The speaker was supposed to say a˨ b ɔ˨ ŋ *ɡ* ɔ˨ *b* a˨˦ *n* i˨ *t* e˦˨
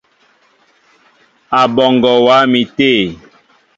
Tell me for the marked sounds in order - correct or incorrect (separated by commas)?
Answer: correct, incorrect, incorrect, correct